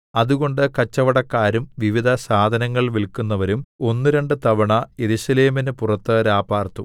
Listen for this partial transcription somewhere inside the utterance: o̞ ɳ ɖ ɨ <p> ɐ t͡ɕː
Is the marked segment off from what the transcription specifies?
yes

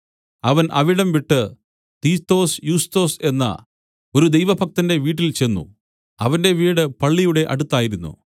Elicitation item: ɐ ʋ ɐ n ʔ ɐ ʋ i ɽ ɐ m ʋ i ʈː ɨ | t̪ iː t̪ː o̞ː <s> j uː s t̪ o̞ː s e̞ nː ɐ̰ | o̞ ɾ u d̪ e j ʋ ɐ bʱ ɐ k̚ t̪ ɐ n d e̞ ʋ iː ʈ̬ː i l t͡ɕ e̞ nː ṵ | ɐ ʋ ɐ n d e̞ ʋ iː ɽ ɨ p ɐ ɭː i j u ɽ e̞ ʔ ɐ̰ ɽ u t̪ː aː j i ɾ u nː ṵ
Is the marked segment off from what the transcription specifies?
no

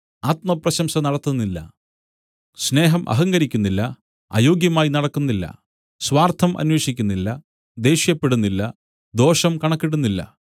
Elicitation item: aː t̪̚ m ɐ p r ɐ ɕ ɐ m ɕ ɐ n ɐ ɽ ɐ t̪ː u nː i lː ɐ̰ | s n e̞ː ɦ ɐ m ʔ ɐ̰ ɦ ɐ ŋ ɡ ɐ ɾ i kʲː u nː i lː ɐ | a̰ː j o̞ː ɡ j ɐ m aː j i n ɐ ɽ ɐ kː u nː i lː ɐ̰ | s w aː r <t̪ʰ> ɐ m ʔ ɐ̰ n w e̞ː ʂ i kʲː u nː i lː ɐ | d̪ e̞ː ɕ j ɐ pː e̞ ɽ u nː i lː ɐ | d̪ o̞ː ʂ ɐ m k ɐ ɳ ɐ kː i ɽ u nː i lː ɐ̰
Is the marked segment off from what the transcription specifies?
no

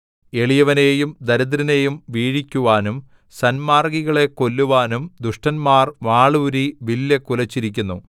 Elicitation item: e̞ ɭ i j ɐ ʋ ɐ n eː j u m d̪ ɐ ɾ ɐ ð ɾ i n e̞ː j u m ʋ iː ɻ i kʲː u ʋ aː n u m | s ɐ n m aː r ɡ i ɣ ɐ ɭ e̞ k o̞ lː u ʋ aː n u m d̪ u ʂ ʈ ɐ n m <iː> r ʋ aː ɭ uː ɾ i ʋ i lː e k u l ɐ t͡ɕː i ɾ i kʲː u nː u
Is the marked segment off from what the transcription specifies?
yes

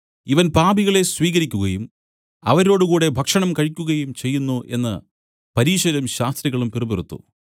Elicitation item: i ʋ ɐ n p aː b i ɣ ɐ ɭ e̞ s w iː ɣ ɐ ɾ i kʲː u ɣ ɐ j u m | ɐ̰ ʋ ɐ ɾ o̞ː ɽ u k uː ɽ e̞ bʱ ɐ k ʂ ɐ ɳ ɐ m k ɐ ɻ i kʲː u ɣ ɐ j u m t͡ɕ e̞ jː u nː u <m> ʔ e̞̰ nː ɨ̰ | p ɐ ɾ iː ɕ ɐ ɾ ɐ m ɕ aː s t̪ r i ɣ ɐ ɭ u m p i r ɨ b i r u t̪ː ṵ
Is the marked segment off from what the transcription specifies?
yes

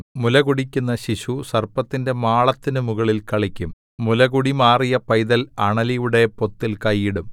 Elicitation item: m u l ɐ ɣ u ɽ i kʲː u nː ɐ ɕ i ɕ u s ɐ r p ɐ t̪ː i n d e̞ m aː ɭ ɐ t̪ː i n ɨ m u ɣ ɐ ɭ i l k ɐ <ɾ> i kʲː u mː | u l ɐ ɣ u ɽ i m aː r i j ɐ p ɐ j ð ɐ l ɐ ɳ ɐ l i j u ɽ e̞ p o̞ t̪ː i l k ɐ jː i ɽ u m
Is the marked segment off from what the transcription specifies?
yes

